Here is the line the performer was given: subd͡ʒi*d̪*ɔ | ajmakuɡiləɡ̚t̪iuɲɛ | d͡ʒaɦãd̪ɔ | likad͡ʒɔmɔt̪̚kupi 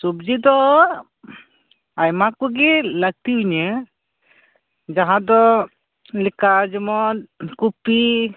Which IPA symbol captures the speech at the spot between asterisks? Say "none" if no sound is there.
d̪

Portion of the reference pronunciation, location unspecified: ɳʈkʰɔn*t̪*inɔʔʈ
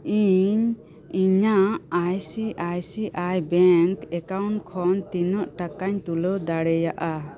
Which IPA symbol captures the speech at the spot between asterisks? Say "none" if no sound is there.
t̪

